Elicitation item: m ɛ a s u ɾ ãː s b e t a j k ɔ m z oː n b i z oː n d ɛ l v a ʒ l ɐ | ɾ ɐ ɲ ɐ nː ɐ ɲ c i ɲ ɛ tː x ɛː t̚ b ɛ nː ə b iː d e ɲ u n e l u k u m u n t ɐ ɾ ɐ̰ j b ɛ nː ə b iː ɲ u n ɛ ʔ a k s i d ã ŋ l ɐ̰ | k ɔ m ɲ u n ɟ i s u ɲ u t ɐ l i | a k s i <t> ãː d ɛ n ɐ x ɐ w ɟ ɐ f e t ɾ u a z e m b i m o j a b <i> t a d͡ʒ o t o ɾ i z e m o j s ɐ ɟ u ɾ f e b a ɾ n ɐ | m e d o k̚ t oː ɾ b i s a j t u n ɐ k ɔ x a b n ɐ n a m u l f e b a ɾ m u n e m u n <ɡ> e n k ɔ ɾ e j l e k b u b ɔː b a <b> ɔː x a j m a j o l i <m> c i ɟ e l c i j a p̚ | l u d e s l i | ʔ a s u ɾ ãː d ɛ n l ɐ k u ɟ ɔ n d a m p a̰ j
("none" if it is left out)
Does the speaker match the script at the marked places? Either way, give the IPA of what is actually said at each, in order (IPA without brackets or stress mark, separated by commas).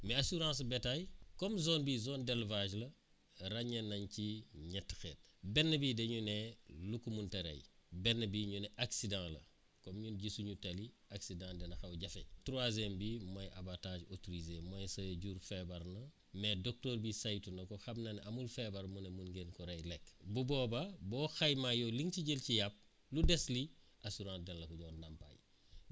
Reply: d, a, ɡ, b, ŋ